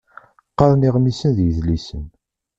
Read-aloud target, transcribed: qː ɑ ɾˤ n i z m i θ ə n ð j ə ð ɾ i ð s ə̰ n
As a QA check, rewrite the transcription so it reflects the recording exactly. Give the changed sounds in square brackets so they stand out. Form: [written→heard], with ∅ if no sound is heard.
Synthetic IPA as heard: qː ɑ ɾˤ n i [z→ʁ] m i [θ→s] ə n ð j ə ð [ɾ→l] i [ð→∅] s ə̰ n